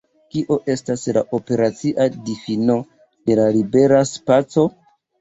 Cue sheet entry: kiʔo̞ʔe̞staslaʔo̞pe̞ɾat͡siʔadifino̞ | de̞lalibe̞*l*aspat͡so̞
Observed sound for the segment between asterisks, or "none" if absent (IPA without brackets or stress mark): ɾ